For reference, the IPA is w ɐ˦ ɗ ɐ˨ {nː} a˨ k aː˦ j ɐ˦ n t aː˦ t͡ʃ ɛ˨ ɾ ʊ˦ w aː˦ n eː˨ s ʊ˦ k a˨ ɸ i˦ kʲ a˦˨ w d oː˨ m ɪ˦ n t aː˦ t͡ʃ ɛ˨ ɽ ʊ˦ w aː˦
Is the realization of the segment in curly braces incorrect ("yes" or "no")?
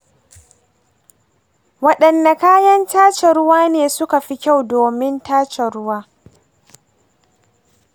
no